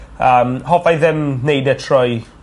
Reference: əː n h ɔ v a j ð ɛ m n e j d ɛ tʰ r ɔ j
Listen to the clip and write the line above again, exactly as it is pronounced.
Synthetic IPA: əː m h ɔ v a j ð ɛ m n e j d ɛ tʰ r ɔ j

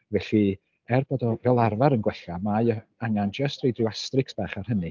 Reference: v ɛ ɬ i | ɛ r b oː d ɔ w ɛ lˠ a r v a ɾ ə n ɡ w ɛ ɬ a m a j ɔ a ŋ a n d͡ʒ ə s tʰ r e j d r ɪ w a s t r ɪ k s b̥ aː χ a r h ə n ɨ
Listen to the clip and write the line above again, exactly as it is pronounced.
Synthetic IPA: v ɛ ɬ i | ɛ r b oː d ɔ v ɛ lˠ a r v a ɾ ə n ɡ w ɛ ɬ a m a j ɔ a ŋ a n d͡ʒ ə s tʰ r e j d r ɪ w a s t r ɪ k s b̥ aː χ a r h ə n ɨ

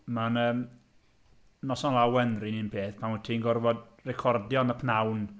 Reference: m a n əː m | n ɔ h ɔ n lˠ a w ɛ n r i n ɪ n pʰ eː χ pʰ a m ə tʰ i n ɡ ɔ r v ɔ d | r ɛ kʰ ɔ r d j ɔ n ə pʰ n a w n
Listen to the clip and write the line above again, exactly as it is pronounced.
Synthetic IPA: m a n əː m | n ɔ s ɔ n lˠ a w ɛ n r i n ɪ n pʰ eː θ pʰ a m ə tʰ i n ɡ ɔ r v ɔ d | r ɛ kʰ ɔ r d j ɔ n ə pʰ n a w n

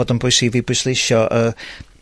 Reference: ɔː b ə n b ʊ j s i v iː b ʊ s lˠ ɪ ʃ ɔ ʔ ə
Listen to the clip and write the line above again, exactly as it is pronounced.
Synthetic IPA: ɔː d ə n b ʊ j s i v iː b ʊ s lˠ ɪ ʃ ɔ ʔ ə

